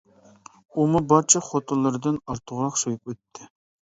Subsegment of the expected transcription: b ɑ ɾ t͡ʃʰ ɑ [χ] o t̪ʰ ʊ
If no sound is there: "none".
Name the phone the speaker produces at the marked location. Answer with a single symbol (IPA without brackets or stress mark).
χ